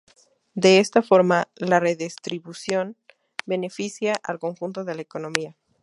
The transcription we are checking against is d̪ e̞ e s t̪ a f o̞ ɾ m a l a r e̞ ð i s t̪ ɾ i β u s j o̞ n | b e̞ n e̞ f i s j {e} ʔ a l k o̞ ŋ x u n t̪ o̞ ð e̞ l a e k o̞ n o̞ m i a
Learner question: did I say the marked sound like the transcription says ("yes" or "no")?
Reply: no